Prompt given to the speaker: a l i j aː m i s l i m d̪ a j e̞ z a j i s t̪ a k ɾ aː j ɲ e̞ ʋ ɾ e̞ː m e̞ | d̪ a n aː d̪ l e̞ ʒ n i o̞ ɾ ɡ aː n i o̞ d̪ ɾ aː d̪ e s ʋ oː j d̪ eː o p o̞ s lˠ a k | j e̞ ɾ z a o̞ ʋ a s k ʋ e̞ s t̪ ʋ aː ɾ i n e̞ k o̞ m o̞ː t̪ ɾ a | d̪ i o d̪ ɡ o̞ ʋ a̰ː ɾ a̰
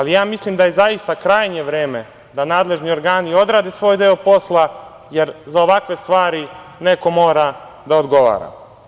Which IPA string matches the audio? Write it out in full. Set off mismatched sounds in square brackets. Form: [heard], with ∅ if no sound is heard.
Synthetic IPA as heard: a l i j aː m i s l i m d̪ a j e̞ z a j i s t̪ a k ɾ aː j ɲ e̞ ʋ ɾ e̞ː m e̞ | d̪ a n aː d̪ l e̞ ʒ n i o̞ ɾ ɡ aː n i o̞ d̪ ɾ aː d̪ e s ʋ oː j d̪ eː o p o̞ s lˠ a [∅] | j e̞ ɾ z a o̞ ʋ a [∅] k ʋ e̞ s t̪ ʋ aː ɾ i n e̞ k o̞ m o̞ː [∅] ɾ a | d̪ [a] o d̪ ɡ o̞ ʋ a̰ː ɾ a̰